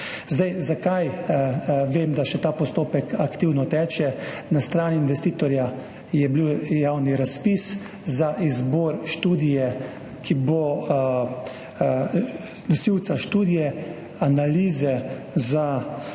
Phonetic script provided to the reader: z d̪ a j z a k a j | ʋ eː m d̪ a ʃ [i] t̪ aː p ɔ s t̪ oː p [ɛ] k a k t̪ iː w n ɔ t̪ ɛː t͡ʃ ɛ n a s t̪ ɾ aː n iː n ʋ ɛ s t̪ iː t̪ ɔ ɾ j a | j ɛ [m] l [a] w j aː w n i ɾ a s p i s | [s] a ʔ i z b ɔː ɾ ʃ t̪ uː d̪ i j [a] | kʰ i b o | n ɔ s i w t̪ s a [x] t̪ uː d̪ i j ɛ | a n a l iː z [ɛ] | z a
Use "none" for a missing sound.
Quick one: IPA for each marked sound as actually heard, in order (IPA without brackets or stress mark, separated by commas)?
ɛ, ɛ, b, i, z, ɛ, ʃ, ɛ